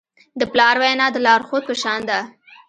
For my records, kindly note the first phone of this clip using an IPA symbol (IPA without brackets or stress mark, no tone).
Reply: d̪